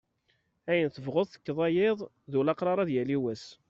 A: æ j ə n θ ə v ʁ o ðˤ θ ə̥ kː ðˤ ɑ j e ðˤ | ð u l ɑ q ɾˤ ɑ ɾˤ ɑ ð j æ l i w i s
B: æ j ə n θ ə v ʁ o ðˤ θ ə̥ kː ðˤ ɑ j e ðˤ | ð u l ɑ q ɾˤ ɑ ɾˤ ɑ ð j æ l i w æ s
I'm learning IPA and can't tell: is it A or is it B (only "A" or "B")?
B